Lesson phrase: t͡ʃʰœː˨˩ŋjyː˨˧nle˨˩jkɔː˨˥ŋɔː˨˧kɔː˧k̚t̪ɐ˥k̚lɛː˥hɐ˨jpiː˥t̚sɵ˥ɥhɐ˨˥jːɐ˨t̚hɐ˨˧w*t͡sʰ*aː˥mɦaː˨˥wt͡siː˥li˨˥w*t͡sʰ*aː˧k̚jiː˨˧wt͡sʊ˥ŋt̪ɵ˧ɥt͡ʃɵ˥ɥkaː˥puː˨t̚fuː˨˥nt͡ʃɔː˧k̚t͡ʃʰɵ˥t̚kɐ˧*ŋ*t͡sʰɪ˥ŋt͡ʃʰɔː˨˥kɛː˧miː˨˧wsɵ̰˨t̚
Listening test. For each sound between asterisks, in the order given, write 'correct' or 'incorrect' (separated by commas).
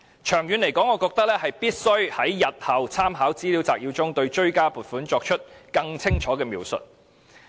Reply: correct, incorrect, correct